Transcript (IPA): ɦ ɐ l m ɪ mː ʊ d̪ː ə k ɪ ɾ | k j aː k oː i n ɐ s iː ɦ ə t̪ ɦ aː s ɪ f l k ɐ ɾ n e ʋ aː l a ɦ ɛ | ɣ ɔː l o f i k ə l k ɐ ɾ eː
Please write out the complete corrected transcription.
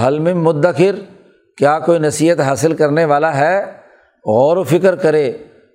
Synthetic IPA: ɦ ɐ l m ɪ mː ʊ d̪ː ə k ɪ ɾ | k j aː k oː i n ɐ s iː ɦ ə t̪ ɦ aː s ɪ l k ɐ ɾ n e ʋ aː l a ɦ ɛ | ɣ ɔː ɾ o f ɪ k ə ɾ k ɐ ɾ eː